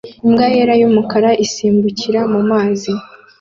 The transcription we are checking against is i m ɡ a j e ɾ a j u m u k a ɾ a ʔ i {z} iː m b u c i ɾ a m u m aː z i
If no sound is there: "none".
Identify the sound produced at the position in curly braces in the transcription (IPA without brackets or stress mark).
s